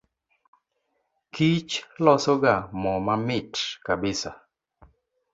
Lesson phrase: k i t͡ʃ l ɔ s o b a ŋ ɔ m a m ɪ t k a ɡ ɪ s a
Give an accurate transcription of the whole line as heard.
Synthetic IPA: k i t͡ʃ l ɔ s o ɡ a m ɔ m a m ɪ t k a b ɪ s a